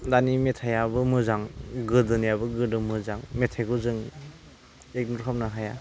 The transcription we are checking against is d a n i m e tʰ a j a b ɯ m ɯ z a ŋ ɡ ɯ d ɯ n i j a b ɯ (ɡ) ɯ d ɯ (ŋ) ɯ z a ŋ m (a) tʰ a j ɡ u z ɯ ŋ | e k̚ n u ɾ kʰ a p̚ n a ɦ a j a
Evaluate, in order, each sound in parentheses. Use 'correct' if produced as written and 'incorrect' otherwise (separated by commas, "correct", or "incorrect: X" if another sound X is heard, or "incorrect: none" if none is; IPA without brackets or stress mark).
correct, incorrect: m, incorrect: e